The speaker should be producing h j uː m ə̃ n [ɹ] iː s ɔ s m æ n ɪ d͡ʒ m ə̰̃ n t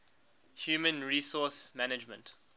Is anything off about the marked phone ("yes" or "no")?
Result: no